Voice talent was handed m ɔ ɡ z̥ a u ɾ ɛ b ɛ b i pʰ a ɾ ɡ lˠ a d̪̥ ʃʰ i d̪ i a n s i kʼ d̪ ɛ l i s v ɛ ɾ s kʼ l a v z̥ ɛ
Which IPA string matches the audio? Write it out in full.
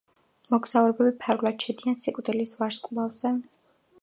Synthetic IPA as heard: m ɔ ɡ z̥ a u ɾ ɛ b ɛ b i pʰ a ɾ ɡ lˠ a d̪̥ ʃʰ ɛ d̪ i a n s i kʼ d̪ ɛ l i s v a ɾ s kʼ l a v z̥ ɛ

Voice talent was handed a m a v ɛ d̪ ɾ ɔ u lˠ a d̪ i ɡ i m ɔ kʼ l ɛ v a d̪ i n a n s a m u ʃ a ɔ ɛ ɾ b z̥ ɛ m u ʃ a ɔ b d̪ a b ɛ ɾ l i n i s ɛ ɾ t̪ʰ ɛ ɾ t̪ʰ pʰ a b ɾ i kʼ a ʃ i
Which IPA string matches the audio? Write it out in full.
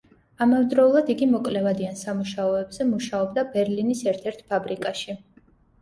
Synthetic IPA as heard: a m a v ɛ d̪ ɾ ɔ u lˠ a d̪ i ɡ i m ɔ kʼ l ɛ v a d̪ i a n s a m u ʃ a ɔ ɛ b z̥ ɛ m u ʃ a ɔ b d̪ a b ɛ ɾ l i n i s ɛ ɾ t̪ʰ ɛ ɾ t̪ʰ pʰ a b ɾ i kʼ a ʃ i

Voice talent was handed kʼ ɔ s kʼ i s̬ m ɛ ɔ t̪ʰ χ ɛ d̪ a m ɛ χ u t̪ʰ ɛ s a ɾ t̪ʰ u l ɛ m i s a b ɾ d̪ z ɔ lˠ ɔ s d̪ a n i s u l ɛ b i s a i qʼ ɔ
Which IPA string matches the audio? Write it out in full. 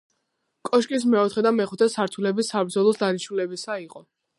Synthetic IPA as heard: kʼ ɔ ʃ kʼ i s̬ m ɛ ɔ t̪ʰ χ ɛ d̪ a m ɛ χ u t̪ʰ ɛ s a ɾ t̪ʰ u l ɛ b i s a b ɾ d̪ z ɔ lˠ ɔ s d̪ a n i ʃ u l ɛ b i s a i qʼ ɔ

